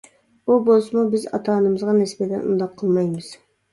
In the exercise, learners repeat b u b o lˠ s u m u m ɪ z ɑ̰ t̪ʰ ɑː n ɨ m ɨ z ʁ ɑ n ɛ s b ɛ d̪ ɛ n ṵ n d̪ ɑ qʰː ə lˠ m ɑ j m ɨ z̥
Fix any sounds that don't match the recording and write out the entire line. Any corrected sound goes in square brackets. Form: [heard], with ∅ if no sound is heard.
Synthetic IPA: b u b o lˠ s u m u [b] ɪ z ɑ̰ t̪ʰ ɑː n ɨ m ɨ z ʁ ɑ n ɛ s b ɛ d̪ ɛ n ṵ n d̪ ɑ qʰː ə lˠ m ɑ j m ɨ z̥